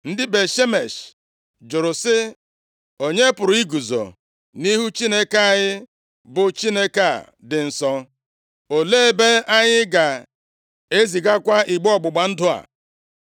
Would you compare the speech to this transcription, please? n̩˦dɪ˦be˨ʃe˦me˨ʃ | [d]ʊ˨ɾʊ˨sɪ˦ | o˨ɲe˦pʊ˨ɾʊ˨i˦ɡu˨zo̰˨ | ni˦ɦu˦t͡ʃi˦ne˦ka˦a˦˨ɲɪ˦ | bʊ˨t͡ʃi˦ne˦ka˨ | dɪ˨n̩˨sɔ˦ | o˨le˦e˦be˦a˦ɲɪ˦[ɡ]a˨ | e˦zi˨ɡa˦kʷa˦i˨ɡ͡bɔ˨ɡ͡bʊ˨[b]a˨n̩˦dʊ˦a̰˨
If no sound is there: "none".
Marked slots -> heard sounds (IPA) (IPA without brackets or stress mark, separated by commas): d͡ʒ, ɡ, ɡ͡b